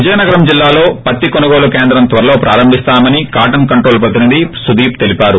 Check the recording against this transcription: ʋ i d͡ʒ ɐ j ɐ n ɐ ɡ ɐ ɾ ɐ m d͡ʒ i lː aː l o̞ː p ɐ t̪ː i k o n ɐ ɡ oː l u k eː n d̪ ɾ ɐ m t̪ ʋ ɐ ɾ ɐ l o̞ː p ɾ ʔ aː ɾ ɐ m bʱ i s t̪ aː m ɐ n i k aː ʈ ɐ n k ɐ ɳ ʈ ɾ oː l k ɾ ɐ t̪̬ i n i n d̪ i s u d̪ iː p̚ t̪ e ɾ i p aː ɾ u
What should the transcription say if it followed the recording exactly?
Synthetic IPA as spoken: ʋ i d͡ʒ ɐ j ɐ n ɐ ɡ ɐ ɾ ɐ m d͡ʒ i lː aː l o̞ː p ɐ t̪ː i k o n ɐ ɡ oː l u k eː n d̪ ɾ ɐ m t̪ ʋ ɐ ɾ ɐ l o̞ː p ɾ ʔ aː ɾ ɐ m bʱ i s t̪ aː m ɐ n i k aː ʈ ɐ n k ɐ ɳ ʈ ɾ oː l p ɾ ɐ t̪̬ i n i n d̪ i s u d̪ iː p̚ t̪ e l i p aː ɾ u